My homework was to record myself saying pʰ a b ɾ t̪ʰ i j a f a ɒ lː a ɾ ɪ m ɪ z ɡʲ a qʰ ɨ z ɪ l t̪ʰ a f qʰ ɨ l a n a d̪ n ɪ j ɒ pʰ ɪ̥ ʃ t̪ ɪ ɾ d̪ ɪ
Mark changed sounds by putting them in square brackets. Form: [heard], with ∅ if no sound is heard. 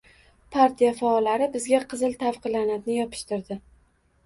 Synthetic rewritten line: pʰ a [∅] ɾ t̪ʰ i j a f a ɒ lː a ɾ ɪ [b] ɪ z ɡʲ a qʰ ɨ z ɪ l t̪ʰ a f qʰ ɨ l a n a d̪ n ɪ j ɒ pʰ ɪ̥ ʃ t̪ ɪ ɾ d̪ ɪ